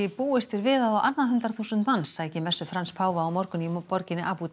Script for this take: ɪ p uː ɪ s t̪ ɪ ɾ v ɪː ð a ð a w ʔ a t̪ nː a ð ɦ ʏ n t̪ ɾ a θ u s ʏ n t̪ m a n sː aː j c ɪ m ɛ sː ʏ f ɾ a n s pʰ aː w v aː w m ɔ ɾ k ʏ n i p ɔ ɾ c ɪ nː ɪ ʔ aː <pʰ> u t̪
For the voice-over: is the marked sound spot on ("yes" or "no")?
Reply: no